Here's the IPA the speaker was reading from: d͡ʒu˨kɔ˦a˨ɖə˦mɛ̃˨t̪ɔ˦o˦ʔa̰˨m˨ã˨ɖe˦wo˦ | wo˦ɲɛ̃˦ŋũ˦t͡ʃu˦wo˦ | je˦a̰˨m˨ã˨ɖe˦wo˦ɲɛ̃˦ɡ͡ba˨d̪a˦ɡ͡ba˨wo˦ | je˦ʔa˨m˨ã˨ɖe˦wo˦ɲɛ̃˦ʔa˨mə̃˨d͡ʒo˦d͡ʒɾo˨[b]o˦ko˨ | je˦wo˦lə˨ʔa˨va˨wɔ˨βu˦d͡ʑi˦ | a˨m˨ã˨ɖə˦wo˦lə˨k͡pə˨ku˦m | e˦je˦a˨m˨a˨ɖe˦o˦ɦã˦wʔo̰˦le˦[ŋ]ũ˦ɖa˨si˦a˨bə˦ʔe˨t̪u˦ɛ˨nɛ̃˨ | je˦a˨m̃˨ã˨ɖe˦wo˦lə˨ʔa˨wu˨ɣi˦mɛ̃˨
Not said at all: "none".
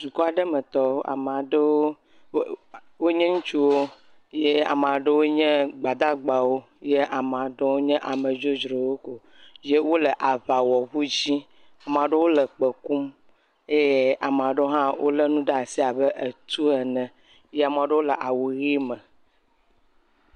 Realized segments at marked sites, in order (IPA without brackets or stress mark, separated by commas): w, n